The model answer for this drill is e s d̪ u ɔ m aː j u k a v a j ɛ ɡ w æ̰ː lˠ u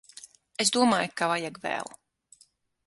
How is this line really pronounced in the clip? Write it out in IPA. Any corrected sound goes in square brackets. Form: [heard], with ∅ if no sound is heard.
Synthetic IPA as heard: e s d̪ u ɔ m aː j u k a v a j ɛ ɡ [v] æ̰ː lˠ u